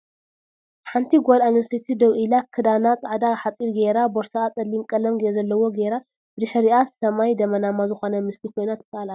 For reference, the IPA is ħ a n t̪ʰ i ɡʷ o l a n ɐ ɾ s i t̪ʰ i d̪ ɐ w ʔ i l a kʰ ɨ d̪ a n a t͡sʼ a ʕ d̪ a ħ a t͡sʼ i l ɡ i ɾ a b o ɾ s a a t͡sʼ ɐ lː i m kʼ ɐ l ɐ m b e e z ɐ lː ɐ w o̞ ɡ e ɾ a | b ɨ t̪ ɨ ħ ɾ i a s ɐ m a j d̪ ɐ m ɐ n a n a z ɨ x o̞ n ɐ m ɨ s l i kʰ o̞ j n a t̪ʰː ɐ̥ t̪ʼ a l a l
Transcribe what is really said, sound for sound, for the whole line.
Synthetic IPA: ħ a n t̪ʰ i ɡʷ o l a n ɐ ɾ s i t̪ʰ i d̪ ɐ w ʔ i l a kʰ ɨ d̪ a n a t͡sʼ a ʕ d̪ a ħ a t͡sʼ i ɾ ɡ e ɾ a b o ɾ s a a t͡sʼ ɐ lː i m kʼ ɐ l ɐ m ɡ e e z ɐ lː ɐ w o̞ ɡ e ɾ a | b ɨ d̪ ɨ ħ ɾ i a s ɐ m a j d̪ ɐ m ɐ n a m a z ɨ x o̞ n ɐ m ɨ s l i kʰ o̞ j n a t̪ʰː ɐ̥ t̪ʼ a l a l